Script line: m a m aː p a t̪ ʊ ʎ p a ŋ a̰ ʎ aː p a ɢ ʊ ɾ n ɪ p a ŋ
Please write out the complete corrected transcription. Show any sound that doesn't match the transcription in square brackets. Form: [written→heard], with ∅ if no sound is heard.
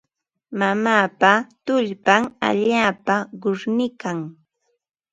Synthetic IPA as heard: m a m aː p a t̪ ʊ ʎ p a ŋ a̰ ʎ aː p a ɢ ʊ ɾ n ɪ [p→k] a ŋ

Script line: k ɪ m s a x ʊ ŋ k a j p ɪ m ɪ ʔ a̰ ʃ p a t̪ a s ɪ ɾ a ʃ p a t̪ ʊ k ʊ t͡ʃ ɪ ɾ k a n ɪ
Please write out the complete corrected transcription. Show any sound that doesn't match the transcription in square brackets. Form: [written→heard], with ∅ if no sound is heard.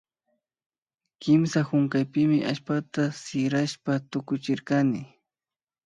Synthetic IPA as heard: k ɪ m s a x ʊ ŋ k a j p ɪ m ɪ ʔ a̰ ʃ p a t̪ a s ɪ ɾ a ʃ p a t̪ ʊ k ʊ t͡ʃ ɪ ɾ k a n ɪ

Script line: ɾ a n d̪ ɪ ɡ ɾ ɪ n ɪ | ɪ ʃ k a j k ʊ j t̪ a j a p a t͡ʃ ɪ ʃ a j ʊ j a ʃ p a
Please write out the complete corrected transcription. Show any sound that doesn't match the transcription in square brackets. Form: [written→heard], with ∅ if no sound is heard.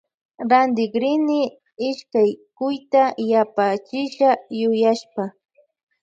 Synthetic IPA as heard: ɾ a n d̪ ɪ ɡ ɾ ɪ n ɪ | ɪ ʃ k a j k ʊ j t̪ a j a p a t͡ʃ ɪ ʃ a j ʊ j a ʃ p a

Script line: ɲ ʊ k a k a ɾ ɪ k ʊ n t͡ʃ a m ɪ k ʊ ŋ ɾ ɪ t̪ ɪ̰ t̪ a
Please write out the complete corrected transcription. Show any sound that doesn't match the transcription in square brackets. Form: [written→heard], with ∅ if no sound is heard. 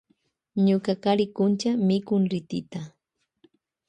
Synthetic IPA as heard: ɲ ʊ k a k a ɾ ɪ k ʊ n t͡ʃ a m ɪ k ʊ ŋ ɾ ɪ t̪ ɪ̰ t̪ a

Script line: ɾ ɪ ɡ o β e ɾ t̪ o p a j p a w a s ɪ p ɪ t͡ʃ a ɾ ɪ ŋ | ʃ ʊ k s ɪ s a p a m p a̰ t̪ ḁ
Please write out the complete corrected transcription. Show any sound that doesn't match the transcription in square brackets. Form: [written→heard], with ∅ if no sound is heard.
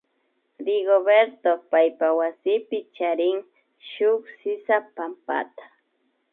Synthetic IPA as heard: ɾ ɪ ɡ o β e ɾ t̪ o p a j p a w a s ɪ p ɪ t͡ʃ a ɾ ɪ ŋ | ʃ ʊ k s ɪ s a p a m p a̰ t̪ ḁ

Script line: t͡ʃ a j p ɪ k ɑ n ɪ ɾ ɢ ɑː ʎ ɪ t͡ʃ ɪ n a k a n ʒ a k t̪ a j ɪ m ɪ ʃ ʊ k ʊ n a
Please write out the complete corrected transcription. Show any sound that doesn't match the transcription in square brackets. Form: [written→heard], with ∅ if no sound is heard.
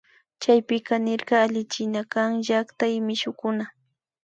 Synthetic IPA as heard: t͡ʃ a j p ɪ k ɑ n ɪ ɾ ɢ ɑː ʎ ɪ t͡ʃ ɪ n a k a [n→ŋ] ʒ a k t̪ a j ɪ m ɪ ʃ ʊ k ʊ n a

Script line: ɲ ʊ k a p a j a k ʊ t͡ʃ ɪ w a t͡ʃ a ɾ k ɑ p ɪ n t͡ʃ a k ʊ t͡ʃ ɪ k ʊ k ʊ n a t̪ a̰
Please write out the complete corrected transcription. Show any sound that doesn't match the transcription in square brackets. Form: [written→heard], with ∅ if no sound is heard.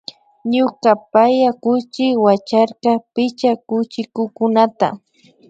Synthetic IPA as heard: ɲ ʊ k a p a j a k ʊ t͡ʃ ɪ w a t͡ʃ a ɾ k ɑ p ɪ [n→∅] t͡ʃ a k ʊ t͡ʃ ɪ k ʊ k ʊ n a t̪ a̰

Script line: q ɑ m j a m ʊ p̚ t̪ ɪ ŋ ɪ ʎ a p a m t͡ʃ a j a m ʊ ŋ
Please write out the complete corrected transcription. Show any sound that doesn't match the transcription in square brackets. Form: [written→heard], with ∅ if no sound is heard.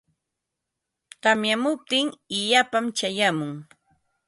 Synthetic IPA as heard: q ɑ m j a m ʊ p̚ t̪ ɪ ŋ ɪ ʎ a p a m t͡ʃ a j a m ʊ ŋ

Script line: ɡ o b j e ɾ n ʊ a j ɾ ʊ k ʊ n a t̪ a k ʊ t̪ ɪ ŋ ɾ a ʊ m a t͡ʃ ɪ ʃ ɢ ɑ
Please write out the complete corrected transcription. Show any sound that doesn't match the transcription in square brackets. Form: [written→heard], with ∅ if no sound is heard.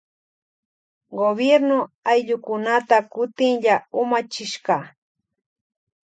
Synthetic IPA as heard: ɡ o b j e ɾ n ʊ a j [ɾ→ʎ] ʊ k ʊ n a t̪ a k ʊ t̪ ɪ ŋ [ɾ→ʎ] a ʊ m a t͡ʃ ɪ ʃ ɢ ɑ

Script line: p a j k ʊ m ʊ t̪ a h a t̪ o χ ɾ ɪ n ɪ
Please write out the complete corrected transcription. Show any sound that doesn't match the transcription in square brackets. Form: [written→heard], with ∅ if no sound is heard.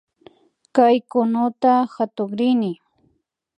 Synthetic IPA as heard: [p→k] a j k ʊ [m→n] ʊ t̪ a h a t̪ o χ ɾ ɪ n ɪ

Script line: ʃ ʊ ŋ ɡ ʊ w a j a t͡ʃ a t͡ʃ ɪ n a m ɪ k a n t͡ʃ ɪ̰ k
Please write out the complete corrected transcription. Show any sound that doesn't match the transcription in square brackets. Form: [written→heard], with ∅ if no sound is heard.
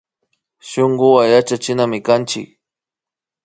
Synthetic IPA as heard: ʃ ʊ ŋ ɡ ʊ w a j a t͡ʃ a t͡ʃ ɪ n a m ɪ k a n t͡ʃ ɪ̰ k

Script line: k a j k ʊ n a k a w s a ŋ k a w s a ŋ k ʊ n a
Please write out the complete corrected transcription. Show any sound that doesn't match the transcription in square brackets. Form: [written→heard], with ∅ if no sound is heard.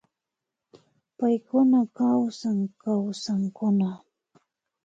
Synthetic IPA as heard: [k→p] a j k ʊ n a k a w s a ŋ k a w s a ŋ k ʊ n a

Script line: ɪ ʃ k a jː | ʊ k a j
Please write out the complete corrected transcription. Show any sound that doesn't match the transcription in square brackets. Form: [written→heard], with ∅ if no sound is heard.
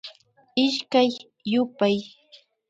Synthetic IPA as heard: ɪ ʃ k a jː | ʊ [k→p] a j

